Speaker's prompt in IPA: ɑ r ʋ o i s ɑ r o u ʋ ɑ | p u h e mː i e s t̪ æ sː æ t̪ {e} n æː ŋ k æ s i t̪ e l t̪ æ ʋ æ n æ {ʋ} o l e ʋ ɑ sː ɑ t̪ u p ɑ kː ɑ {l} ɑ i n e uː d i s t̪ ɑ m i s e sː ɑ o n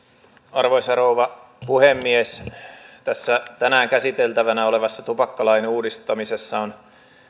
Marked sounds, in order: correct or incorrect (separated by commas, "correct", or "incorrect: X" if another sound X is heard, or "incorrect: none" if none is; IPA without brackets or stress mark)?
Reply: incorrect: æ, incorrect: none, correct